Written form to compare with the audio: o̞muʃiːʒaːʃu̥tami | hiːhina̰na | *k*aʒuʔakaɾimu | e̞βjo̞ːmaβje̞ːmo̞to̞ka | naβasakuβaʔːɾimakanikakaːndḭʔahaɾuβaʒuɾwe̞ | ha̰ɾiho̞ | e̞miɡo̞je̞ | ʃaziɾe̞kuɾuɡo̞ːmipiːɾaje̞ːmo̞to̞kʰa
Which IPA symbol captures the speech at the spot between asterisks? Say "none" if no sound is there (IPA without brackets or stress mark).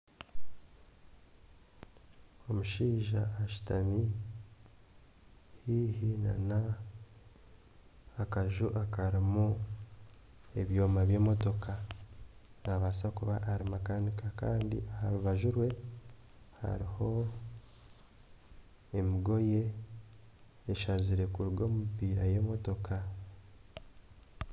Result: k